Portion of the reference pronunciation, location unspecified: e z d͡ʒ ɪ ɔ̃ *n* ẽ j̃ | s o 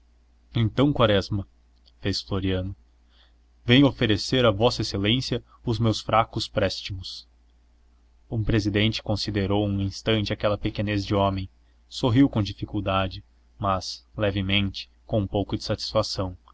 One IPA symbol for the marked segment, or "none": m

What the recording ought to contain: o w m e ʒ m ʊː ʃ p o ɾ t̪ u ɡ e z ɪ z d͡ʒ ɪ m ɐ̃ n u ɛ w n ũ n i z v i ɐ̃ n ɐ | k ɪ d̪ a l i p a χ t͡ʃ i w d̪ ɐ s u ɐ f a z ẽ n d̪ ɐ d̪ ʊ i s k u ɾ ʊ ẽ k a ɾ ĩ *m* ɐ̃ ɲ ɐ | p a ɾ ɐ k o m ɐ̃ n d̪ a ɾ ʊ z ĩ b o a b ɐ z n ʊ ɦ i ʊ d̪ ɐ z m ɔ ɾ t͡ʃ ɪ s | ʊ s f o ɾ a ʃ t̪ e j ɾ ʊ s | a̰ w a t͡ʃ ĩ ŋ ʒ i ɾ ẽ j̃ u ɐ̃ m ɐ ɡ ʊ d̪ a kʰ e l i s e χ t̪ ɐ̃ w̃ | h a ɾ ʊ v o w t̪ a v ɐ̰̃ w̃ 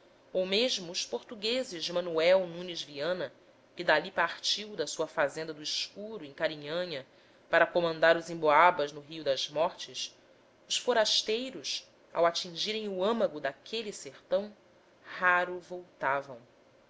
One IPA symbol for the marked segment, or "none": ɲ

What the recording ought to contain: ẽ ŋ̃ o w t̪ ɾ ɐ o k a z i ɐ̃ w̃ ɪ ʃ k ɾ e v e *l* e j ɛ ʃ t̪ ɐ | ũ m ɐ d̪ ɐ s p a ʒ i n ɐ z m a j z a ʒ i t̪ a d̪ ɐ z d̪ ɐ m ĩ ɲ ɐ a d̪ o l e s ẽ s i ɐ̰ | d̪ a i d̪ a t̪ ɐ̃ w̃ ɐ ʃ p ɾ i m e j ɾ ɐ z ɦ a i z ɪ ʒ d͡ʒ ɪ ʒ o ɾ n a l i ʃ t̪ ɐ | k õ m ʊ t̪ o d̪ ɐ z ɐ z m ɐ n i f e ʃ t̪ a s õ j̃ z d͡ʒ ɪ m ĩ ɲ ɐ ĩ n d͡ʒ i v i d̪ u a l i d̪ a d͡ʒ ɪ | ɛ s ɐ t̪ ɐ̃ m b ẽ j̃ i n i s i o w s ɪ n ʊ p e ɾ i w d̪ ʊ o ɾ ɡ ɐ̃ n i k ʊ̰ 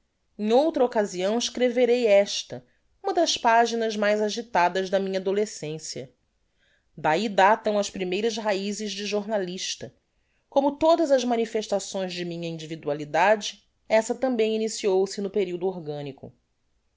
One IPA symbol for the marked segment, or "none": ɾ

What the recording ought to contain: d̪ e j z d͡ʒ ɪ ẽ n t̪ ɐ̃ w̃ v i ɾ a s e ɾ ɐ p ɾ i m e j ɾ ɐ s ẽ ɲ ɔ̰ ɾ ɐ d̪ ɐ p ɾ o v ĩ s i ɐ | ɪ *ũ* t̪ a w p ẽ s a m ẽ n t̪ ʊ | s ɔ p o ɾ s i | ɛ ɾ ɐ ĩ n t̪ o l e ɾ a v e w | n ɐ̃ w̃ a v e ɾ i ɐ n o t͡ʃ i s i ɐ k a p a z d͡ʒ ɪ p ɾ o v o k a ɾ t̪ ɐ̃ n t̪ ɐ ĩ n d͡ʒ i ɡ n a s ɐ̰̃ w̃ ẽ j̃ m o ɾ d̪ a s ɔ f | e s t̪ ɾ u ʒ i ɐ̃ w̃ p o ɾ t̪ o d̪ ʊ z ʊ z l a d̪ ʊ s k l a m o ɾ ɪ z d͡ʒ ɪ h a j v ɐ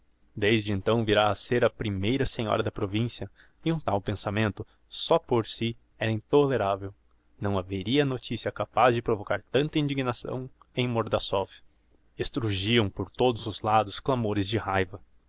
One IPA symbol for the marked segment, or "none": ũ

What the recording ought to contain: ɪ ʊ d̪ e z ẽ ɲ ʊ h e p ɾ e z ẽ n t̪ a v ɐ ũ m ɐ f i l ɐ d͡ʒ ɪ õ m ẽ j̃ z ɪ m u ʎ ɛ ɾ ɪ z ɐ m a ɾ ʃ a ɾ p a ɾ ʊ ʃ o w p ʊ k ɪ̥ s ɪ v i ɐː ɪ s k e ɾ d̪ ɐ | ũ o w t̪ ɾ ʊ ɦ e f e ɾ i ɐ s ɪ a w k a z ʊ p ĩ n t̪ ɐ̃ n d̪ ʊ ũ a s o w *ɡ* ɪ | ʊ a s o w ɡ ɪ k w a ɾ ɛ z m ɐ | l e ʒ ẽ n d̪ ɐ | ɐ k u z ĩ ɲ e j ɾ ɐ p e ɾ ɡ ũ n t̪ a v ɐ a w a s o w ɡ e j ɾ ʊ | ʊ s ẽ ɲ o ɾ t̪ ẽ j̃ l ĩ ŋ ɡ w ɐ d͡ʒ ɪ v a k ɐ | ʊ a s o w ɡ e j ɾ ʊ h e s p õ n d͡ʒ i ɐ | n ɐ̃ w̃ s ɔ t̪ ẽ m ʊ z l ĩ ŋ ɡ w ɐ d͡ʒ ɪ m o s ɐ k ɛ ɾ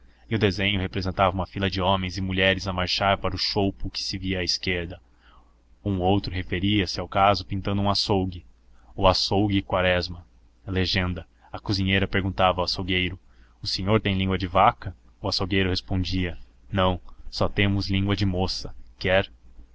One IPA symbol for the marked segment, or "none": ɡ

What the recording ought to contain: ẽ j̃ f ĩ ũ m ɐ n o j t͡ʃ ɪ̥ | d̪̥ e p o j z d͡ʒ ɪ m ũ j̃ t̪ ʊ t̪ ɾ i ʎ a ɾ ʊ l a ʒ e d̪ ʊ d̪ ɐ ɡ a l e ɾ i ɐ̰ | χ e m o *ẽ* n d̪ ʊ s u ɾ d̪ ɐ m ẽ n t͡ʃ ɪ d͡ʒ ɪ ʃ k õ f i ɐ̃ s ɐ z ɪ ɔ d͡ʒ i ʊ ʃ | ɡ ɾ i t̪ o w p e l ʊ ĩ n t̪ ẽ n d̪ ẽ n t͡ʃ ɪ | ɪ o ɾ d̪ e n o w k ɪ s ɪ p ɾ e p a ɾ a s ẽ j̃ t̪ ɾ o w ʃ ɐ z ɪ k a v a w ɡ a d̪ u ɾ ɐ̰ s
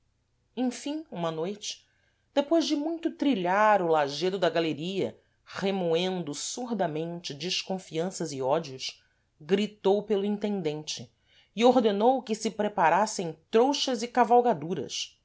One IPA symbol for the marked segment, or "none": ẽ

